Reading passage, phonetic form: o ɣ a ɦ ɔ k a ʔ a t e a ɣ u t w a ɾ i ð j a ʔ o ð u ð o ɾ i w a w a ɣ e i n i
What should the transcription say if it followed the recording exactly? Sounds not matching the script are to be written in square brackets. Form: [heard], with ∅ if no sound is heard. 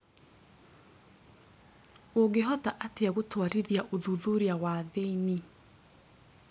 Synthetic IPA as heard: o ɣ [e] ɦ ɔ [t] a ʔ a t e a ɣ [o] t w a ɾ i ð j a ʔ o ð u ð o ɾ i [∅] a w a [ð] e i n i